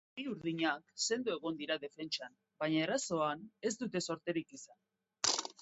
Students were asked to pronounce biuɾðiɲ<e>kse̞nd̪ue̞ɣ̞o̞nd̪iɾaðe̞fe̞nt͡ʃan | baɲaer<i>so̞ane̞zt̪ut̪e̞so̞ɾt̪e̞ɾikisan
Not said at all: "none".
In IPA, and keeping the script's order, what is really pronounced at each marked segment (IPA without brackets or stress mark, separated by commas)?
a, a